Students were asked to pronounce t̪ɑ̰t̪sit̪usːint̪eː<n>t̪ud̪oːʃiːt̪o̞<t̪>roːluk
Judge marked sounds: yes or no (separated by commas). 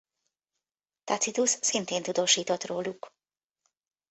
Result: yes, yes